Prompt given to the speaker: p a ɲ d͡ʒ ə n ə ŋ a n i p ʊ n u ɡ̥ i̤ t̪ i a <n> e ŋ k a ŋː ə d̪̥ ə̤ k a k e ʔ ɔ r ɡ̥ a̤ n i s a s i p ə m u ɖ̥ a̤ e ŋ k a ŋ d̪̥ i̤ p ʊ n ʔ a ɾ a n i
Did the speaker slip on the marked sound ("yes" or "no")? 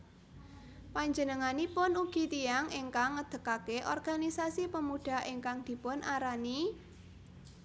yes